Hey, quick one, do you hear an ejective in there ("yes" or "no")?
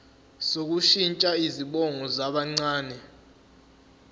yes